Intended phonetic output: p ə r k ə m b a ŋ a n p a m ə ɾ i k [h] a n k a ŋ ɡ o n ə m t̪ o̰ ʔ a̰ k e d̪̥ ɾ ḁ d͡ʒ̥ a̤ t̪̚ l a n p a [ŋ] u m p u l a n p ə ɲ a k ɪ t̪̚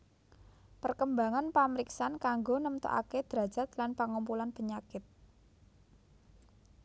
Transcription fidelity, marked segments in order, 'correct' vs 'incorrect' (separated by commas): incorrect, correct